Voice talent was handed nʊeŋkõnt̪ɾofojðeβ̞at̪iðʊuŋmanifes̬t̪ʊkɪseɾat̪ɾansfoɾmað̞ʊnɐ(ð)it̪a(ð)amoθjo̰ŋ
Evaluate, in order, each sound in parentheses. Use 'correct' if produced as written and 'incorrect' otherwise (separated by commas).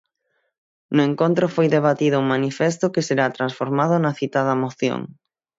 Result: incorrect, correct